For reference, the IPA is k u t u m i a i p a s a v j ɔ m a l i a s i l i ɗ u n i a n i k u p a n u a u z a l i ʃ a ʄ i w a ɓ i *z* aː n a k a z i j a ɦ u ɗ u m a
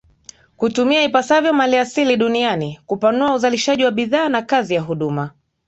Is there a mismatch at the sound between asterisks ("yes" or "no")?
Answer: yes